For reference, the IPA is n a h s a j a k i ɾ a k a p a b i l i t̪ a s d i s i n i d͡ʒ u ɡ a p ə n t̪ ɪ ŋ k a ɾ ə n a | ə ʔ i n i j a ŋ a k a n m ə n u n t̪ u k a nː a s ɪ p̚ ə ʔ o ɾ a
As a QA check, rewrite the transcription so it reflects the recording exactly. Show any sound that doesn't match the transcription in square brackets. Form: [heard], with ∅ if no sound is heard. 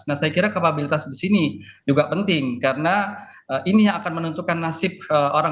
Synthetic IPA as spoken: n a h s a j a k i ɾ a k a p a b i l i t̪ a s d i s i n i d͡ʒ u ɡ a p ə n t̪ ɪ ŋ k a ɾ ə n a | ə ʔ i n i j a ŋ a k a n m ə n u n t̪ u k a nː a s ɪ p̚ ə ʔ o ɾ a